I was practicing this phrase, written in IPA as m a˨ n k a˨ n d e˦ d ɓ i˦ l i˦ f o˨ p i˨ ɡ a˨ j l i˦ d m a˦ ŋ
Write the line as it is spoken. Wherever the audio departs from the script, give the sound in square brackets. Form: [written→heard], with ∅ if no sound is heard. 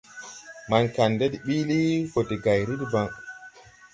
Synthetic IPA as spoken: m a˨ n k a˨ n d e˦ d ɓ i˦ l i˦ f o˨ [p→t] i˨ ɡ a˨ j [l→ɾ] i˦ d [m→b] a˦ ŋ